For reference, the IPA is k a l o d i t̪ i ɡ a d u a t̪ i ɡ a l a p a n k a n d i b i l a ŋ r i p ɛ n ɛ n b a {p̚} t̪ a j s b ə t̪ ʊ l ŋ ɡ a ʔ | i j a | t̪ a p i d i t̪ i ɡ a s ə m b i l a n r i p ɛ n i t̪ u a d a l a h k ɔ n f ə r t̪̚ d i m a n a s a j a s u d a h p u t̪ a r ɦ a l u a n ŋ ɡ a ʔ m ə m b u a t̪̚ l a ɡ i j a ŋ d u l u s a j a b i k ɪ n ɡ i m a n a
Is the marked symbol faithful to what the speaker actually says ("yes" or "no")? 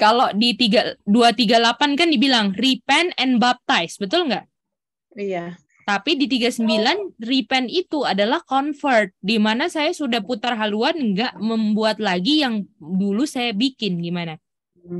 yes